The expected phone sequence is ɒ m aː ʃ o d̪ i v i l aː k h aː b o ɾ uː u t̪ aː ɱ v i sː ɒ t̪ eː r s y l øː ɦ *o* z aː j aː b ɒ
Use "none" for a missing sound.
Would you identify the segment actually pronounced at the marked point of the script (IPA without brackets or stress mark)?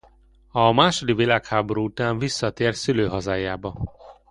ɒ